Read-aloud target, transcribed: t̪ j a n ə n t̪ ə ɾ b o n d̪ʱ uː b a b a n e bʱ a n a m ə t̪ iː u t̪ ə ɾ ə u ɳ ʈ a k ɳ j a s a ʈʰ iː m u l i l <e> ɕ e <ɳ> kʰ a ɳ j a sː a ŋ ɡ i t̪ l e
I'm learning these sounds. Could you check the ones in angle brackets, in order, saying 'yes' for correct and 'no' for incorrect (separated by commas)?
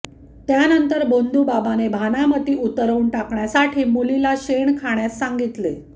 no, yes